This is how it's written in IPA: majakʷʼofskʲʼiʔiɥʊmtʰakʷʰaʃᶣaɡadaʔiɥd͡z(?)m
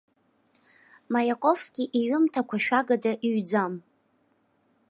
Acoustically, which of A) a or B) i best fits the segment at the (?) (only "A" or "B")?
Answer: A